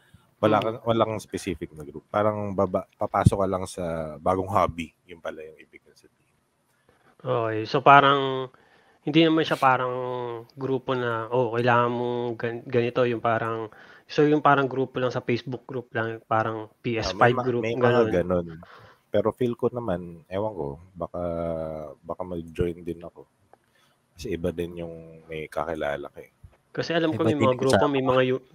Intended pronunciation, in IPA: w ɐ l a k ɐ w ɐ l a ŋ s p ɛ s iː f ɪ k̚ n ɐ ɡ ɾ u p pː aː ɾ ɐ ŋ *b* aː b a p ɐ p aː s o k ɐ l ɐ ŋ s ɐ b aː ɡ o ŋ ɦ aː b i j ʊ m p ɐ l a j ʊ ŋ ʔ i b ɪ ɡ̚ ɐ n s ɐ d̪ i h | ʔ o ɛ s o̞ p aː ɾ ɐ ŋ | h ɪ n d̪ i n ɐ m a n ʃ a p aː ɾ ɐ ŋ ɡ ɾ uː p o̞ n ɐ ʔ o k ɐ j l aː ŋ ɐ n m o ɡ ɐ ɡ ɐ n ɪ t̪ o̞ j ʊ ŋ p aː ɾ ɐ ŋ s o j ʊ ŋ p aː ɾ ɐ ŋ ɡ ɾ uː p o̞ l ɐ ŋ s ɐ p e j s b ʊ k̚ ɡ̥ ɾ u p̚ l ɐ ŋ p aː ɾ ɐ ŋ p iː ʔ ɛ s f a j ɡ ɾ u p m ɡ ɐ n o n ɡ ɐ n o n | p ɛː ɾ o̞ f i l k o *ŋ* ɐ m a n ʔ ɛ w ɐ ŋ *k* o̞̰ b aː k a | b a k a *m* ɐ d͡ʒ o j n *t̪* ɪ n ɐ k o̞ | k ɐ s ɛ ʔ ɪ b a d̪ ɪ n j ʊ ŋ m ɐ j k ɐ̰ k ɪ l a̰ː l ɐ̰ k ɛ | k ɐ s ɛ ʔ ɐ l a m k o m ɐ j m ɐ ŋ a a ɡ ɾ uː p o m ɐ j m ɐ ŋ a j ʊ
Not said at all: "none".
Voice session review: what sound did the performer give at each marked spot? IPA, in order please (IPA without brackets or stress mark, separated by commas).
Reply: b, n, k, m, d̪